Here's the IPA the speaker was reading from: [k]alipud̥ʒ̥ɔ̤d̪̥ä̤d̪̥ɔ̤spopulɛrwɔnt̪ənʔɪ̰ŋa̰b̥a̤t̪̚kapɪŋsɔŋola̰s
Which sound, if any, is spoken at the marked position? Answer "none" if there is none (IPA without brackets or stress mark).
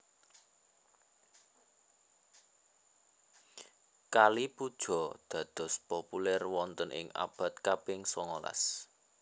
k